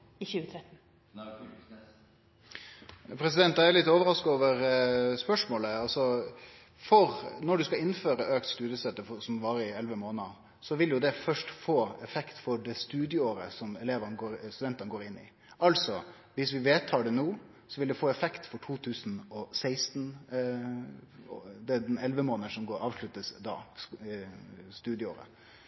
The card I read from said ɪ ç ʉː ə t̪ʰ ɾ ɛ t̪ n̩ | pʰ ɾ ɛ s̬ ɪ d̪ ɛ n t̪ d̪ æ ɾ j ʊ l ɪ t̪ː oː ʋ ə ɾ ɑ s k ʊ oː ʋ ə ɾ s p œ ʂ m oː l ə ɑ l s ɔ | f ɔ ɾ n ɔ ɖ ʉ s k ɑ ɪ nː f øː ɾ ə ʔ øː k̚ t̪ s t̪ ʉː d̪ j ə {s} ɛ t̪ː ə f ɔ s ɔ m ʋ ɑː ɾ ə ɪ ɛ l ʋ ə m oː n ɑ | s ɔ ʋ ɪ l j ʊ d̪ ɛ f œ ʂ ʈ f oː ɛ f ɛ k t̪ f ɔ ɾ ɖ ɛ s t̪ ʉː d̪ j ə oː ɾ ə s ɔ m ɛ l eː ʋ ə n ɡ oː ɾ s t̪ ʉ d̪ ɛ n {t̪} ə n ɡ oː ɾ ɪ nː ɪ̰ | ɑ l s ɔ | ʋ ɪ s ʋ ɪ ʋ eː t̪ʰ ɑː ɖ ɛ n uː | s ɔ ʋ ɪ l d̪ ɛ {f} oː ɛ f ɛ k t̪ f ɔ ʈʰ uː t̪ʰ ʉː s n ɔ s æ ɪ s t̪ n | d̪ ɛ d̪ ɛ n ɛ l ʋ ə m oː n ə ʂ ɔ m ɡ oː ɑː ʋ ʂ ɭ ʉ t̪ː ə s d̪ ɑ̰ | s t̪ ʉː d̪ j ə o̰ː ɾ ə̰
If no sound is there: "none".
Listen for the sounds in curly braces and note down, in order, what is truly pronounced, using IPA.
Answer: s, t̪, f

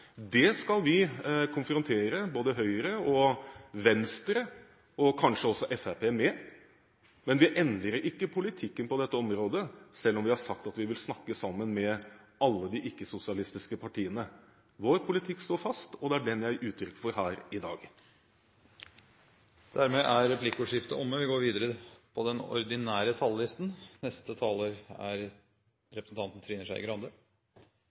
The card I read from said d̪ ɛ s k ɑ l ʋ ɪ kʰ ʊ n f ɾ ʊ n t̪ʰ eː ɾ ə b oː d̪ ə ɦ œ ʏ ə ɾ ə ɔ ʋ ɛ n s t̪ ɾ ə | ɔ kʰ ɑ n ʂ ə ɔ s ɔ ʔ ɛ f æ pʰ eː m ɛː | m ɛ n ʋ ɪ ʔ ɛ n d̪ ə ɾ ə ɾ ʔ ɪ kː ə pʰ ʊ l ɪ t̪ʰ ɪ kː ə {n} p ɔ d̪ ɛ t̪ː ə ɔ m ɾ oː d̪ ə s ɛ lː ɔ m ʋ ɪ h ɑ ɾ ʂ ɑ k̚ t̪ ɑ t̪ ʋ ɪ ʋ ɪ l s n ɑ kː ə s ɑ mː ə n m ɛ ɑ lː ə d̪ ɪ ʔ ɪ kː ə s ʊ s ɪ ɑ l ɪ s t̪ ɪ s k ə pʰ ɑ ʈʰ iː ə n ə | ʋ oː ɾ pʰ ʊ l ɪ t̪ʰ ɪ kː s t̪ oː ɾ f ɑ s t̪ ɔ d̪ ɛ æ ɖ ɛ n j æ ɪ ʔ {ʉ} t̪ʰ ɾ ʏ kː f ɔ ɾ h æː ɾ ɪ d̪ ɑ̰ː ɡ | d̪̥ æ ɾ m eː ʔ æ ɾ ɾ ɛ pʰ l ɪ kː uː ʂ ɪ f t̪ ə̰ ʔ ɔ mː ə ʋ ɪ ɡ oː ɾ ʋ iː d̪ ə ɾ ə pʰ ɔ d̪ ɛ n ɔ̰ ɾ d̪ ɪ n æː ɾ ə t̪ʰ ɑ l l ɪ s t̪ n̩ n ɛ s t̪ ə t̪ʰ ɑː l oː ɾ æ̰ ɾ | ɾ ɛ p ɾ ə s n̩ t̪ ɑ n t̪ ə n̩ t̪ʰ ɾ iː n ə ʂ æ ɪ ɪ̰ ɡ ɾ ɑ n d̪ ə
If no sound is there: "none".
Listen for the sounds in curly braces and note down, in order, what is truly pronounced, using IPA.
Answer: n, ʉː

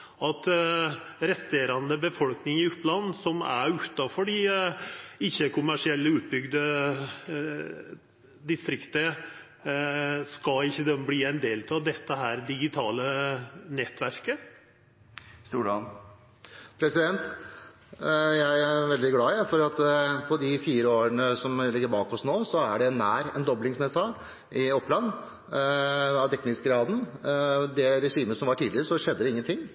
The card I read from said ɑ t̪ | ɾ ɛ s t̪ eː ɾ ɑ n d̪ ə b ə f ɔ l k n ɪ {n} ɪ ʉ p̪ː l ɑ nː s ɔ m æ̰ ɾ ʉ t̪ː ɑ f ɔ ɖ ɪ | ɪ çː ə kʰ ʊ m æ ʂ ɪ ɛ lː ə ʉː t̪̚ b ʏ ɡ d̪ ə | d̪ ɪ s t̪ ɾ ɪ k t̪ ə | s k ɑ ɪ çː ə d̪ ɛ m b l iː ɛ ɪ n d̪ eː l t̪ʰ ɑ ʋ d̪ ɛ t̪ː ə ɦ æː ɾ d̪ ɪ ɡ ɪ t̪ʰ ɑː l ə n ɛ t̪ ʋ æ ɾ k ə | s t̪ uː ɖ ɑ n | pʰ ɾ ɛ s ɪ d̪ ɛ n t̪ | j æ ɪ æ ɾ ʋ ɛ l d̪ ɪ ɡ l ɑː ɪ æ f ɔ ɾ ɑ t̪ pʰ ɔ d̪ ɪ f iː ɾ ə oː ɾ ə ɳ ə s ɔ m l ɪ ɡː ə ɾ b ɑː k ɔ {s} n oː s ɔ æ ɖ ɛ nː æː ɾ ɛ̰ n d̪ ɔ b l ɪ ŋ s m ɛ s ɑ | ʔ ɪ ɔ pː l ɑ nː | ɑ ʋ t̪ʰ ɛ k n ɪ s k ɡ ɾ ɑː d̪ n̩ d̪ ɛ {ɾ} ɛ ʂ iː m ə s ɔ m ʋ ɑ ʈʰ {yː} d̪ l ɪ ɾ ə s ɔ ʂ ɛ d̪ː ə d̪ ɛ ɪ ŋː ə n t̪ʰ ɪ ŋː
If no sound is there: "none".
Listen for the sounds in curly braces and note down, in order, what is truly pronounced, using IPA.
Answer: ŋ, s, ɾ, iː

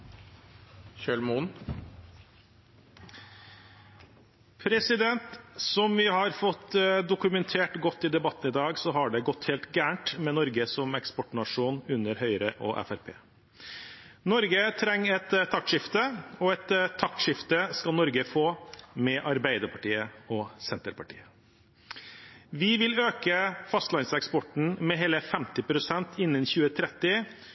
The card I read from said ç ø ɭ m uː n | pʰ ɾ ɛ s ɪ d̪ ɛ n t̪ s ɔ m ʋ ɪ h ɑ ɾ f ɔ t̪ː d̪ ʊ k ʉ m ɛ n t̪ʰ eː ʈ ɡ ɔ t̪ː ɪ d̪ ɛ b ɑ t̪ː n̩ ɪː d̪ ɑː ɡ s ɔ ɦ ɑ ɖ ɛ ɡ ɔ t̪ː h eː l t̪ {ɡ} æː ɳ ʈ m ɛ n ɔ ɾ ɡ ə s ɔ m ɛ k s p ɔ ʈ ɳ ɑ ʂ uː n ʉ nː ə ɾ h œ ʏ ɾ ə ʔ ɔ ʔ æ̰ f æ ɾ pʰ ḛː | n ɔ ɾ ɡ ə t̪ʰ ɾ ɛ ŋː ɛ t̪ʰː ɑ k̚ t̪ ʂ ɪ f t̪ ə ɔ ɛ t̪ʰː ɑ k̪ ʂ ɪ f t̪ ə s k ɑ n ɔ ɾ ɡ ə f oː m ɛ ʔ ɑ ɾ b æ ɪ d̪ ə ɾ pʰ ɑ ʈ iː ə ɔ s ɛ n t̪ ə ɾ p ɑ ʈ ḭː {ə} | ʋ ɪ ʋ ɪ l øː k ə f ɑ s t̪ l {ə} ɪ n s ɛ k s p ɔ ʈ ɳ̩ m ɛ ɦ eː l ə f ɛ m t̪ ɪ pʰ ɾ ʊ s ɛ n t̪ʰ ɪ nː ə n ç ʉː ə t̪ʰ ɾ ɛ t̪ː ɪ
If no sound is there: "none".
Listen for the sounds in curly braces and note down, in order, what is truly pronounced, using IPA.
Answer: ɡ, ə, ɑ

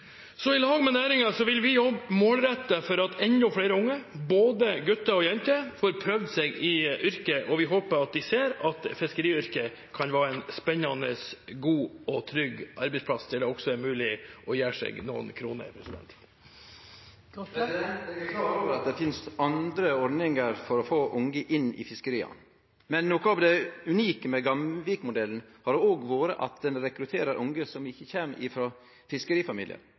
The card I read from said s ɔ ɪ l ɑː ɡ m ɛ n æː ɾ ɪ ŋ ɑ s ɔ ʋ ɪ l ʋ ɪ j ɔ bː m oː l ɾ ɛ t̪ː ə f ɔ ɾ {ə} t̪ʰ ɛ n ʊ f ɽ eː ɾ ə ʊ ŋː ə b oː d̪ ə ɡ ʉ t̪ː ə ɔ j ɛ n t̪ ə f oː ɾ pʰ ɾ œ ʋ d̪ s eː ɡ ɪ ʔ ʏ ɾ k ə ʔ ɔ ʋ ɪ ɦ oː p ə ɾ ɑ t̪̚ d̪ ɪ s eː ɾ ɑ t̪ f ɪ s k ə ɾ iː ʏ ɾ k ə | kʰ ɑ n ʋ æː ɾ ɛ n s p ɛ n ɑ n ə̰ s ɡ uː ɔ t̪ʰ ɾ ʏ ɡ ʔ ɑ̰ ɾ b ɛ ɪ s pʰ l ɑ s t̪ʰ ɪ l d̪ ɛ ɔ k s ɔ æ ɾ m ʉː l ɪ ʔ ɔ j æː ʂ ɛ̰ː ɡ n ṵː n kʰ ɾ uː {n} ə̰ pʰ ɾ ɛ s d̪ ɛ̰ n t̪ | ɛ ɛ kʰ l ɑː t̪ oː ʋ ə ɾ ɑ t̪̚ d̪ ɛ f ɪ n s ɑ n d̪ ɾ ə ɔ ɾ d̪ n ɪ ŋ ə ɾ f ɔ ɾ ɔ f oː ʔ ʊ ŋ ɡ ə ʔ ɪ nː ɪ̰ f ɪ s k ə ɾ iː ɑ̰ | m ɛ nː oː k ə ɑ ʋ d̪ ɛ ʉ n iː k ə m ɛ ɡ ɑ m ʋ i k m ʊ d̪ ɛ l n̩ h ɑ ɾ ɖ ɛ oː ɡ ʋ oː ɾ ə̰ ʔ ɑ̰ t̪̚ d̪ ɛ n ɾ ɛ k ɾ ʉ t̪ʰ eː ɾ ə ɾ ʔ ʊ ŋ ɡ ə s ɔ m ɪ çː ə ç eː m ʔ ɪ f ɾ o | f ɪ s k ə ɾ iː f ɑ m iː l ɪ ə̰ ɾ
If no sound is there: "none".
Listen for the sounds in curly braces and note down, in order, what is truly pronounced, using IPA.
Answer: ɑ, n

